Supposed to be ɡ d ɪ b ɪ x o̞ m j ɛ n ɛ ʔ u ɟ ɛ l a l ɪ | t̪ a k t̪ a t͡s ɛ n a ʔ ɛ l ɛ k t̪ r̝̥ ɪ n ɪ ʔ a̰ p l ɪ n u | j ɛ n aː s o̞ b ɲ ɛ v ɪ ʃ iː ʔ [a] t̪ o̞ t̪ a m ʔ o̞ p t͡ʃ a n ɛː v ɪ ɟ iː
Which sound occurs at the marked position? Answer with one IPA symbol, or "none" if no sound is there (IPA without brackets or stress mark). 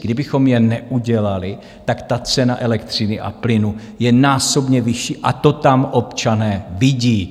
a